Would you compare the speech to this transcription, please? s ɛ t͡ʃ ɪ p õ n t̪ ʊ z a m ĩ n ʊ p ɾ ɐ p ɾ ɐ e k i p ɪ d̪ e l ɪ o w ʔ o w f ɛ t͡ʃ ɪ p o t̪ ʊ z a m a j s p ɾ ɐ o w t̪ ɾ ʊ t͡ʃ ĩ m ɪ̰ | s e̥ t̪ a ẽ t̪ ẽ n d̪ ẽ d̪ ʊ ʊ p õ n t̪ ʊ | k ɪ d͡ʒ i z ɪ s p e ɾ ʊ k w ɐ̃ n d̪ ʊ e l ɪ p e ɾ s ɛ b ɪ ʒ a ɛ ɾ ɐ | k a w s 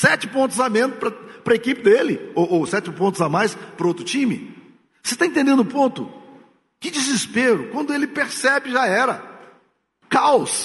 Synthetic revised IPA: s ɛ t͡ʃ ɪ p õ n t̪ ʊ z a m ẽ n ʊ p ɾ ɐ p ɾ ɐ e k i p ɪ d̪ e l ɪ o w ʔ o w s ɛ t͡ʃ ɪ p õ t̪ ʊ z a m a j s p ɾ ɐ o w t̪ ɾ ʊ t͡ʃ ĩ m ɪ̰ | s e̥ t̪ a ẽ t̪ ẽ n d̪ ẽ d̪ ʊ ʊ p õ n t̪ ʊ | k ɪ d͡ʒ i z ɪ s p e ɾ ʊ k w ɐ̃ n d̪ ʊ e l ɪ p e ɾ s ɛ b ɪ ʒ a ɛ ɾ ɐ | k a w s